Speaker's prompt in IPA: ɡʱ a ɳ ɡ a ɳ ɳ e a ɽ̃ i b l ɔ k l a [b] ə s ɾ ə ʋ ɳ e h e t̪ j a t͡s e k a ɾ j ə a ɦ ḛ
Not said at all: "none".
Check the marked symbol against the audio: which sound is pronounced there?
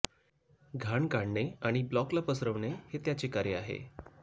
p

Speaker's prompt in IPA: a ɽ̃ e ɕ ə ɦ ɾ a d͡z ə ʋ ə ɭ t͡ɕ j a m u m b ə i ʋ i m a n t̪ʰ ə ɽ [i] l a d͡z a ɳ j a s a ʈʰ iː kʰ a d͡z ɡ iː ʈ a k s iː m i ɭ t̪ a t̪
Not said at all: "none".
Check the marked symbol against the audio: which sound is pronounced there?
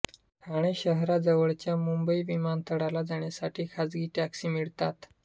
a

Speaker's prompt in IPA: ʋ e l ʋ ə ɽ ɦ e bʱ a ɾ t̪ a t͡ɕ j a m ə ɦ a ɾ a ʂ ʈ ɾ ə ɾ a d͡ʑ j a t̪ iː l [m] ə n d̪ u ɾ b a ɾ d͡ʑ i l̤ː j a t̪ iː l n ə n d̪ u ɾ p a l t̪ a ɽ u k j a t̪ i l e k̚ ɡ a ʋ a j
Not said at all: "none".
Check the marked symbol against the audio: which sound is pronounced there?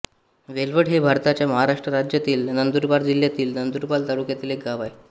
n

